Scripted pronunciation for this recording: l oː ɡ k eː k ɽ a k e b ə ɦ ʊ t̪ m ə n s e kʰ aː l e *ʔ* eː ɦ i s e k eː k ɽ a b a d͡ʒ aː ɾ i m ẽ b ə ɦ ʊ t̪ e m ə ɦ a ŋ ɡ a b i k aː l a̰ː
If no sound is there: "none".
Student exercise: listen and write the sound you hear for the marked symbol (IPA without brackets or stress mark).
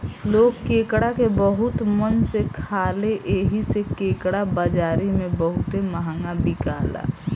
ʔ